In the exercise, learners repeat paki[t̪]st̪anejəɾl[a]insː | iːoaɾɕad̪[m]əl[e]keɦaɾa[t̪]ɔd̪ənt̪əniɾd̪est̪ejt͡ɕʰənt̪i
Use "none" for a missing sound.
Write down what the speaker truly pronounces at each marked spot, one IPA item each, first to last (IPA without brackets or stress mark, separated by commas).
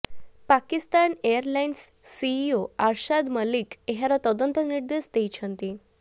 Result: none, a, m, i, t̪